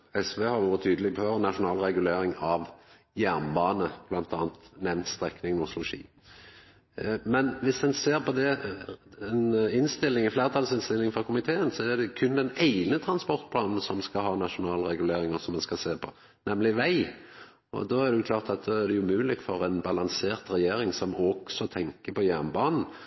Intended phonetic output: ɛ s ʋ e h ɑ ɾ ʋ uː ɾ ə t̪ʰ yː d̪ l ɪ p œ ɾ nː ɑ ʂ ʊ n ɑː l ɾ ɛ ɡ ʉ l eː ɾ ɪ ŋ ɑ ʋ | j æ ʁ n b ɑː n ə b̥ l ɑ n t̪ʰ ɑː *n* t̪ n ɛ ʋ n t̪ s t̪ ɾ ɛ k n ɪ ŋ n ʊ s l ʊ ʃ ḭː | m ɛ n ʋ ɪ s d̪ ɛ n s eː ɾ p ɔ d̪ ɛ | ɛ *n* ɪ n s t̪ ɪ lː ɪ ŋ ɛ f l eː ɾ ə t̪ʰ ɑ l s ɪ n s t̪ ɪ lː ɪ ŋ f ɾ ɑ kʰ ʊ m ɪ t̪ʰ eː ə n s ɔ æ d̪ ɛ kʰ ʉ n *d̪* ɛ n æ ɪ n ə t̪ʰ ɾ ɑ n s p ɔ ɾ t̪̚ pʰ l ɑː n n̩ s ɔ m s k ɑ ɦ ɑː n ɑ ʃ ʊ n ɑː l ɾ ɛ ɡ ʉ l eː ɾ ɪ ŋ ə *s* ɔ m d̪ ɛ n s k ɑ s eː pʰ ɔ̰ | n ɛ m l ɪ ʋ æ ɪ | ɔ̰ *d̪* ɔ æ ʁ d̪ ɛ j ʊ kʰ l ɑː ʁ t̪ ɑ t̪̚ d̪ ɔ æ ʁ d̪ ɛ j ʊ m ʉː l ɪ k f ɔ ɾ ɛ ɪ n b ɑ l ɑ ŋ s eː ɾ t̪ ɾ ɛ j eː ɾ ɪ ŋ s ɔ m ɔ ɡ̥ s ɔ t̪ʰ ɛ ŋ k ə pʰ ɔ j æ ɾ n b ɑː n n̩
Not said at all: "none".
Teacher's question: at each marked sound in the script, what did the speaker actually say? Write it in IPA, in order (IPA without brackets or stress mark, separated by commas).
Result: n, n, d̪, s, d̪